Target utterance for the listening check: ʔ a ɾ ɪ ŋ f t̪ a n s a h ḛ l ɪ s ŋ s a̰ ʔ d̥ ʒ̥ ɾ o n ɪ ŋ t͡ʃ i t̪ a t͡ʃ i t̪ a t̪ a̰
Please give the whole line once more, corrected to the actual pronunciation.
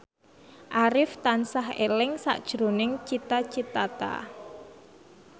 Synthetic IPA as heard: ʔ a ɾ ɪ f t̪ a n s a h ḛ l ɪ ŋ s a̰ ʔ d̥ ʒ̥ ɾ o n ɪ ŋ t͡ʃ i t̪ a t͡ʃ i t̪ a t̪ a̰